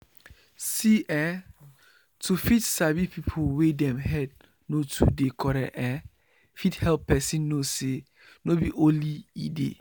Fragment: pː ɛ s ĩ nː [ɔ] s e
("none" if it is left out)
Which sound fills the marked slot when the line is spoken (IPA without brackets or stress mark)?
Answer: o